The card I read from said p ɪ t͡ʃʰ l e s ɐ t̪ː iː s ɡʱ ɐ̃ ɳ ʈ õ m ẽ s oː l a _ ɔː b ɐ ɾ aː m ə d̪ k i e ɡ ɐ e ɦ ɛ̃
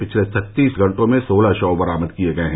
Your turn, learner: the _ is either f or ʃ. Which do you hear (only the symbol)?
ʃ